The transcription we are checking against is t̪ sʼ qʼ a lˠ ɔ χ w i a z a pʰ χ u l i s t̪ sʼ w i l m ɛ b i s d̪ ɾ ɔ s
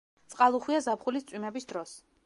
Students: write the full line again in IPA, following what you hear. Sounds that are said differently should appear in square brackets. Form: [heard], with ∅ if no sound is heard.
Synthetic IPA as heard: t̪ sʼ qʼ a lˠ [u] χ w i a z a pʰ χ u l i s t̪ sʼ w i [∅] m ɛ b i s d̪ ɾ ɔ s